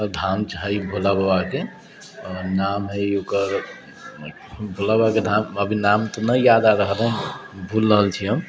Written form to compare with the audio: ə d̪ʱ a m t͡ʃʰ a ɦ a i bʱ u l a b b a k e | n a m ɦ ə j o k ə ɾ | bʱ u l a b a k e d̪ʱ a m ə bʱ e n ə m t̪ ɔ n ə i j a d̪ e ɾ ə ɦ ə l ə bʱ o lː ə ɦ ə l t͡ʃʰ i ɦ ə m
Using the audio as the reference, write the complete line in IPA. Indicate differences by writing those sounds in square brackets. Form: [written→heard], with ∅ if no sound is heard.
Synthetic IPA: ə d̪ʱ a m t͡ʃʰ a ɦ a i bʱ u l a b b a k e | n a m ɦ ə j o k ə ɾ | bʱ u l a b a k e d̪ʱ a m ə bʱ [e→i] n [ə→a] m t̪ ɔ n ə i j a d̪ [e→a] ɾ ə ɦ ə l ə bʱ [o→u] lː ə ɦ ə l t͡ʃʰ i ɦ ə m